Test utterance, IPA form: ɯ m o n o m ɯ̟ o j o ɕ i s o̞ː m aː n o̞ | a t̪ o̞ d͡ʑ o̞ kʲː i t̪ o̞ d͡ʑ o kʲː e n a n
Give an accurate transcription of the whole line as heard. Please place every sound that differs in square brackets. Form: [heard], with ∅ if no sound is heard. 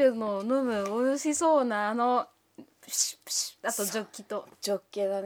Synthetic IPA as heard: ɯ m o n o m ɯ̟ o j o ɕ i s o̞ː [n] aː n o̞ | a t̪ o̞ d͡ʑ o̞ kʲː i t̪ o̞ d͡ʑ o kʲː e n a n